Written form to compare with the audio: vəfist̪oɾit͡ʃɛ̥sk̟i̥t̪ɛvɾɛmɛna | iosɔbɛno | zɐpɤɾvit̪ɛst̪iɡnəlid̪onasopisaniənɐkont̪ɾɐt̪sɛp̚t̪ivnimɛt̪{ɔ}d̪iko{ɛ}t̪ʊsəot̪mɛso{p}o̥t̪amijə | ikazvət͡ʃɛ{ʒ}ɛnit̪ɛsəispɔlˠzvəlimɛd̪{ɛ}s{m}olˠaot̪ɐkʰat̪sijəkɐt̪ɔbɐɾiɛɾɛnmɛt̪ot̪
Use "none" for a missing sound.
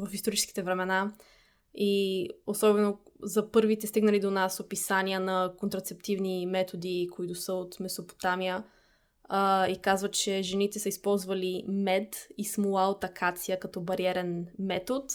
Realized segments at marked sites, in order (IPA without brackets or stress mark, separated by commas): o, i, p, ʒ, i, m